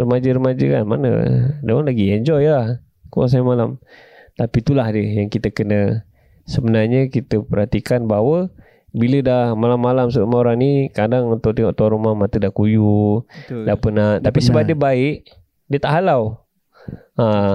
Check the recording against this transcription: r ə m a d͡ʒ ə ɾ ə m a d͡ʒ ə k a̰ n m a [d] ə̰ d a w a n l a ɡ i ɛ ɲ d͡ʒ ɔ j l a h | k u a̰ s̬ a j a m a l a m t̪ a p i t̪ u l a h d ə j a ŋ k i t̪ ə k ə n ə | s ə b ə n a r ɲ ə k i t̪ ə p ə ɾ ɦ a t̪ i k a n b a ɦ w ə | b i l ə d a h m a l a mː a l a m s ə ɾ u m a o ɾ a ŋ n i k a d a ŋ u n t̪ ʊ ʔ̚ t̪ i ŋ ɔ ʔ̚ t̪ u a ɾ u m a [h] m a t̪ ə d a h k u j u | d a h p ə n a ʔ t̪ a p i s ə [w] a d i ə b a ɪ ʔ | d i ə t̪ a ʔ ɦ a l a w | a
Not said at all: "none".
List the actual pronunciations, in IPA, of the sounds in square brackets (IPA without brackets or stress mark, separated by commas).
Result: n, h, b